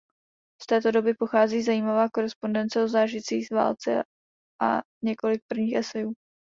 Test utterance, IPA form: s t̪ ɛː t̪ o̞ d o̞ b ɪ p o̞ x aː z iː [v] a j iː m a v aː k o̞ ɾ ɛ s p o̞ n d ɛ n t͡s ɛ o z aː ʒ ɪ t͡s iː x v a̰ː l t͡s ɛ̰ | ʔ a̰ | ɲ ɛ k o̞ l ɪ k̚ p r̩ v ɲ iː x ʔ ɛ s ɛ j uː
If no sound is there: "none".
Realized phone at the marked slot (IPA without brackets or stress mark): z